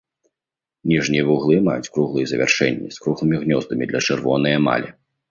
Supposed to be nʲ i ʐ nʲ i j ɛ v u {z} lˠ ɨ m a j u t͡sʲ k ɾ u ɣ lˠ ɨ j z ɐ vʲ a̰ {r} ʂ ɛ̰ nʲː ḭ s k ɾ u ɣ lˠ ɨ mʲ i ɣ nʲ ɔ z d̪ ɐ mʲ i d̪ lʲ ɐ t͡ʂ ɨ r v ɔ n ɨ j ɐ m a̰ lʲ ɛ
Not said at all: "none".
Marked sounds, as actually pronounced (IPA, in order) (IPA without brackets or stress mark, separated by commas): ɣ, r